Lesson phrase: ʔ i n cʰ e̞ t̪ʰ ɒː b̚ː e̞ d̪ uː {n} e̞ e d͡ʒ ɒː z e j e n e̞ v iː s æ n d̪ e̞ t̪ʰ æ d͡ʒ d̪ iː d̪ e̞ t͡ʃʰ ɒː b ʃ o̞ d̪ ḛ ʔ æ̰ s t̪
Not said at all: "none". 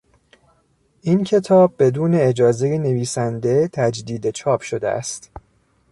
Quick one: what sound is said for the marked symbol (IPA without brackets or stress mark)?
n